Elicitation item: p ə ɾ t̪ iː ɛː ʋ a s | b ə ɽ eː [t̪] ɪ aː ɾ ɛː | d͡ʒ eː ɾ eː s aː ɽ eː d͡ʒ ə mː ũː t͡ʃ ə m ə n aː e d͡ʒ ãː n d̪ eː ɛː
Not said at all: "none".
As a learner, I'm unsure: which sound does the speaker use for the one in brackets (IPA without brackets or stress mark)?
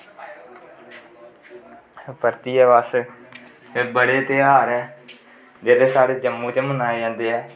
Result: t̪